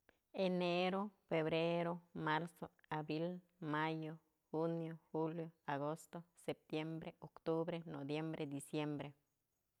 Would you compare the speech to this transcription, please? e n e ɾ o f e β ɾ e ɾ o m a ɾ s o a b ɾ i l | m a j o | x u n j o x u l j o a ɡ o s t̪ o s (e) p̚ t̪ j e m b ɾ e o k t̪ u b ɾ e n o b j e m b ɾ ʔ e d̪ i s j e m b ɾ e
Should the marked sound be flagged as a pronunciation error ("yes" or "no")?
no